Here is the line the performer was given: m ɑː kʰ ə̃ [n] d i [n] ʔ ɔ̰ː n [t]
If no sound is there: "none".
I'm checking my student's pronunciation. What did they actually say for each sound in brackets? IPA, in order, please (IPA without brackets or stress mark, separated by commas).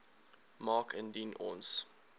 n, n, s